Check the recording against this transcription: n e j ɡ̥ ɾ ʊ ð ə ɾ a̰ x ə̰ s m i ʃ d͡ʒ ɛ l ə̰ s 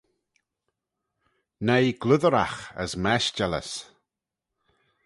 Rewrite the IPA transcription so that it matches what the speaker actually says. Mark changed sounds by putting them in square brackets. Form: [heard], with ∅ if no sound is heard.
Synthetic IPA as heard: n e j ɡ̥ [l] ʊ ð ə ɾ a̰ x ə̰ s m [ɛ] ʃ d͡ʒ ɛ l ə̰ s